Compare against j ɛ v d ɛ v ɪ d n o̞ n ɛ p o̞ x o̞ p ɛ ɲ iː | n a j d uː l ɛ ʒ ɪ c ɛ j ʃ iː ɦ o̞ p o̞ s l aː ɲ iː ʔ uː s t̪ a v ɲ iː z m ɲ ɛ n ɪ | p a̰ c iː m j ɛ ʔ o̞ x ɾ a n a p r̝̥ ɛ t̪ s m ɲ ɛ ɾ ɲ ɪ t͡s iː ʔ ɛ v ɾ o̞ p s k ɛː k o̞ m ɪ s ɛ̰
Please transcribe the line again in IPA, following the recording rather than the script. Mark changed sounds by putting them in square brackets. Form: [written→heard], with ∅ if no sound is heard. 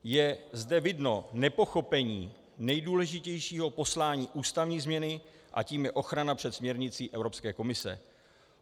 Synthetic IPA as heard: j ɛ [v→z] d ɛ v ɪ d n o̞ n ɛ p o̞ x o̞ p ɛ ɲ iː | n [a→ɛ] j d uː l ɛ ʒ ɪ c ɛ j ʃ iː ɦ o̞ p o̞ s l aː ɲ iː ʔ uː s t̪ a v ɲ iː z m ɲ ɛ n ɪ | [p→ʔ] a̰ c iː m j ɛ ʔ o̞ x ɾ a n a p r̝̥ ɛ t̪ s m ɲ ɛ ɾ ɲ ɪ t͡s iː ʔ ɛ v ɾ o̞ p s k ɛː k o̞ m ɪ s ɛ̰